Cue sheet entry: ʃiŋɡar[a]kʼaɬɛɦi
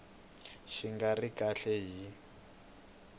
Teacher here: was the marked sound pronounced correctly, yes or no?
no